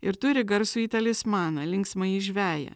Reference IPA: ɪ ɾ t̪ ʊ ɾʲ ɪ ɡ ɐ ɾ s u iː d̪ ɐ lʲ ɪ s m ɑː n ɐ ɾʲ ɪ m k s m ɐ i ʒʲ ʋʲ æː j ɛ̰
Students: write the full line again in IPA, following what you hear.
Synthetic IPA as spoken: ɪ ɾ t̪ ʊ ɾʲ ɪ ɡ ɐ ɾ s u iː t̪ ɐ lʲ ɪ s m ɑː n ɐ lʲ ɪ ŋ k s m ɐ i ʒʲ ʋʲ æː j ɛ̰